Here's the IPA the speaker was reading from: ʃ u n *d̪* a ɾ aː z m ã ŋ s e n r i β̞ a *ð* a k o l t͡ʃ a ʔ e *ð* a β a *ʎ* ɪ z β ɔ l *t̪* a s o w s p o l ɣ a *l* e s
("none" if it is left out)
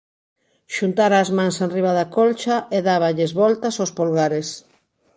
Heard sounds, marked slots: t̪, ð, ð, ʎ, t̪, ɾ

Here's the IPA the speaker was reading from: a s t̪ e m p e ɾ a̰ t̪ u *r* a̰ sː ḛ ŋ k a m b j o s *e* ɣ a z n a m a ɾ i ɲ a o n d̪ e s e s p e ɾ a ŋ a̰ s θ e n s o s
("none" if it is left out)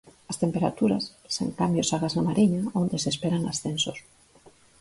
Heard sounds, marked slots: ɾ, a

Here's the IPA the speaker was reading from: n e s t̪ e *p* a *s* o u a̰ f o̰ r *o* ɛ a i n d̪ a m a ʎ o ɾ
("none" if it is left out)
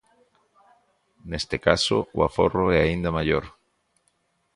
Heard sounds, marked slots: k, s, o

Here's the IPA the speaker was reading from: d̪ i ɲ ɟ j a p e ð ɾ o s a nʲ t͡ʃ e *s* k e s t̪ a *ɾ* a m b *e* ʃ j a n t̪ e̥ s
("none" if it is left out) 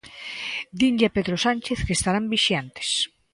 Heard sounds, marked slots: θ, ɾ, i

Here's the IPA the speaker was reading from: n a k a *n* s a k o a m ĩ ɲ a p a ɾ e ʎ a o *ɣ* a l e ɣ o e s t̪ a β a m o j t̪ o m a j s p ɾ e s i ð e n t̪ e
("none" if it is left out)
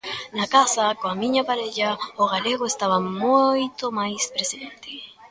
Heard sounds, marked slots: none, ɣ

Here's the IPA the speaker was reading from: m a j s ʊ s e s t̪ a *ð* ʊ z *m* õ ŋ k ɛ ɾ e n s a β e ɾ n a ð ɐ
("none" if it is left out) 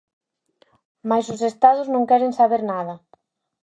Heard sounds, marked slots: ð, n

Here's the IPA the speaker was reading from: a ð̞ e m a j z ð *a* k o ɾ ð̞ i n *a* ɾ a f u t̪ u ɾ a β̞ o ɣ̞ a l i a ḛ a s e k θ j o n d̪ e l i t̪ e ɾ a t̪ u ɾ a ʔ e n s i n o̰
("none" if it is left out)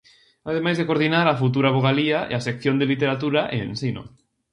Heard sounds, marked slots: e, a

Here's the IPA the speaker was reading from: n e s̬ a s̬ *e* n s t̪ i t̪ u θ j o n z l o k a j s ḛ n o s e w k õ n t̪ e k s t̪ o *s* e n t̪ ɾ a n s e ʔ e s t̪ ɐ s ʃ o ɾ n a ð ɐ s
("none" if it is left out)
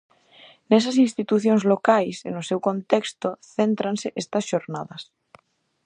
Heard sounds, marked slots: i, θ

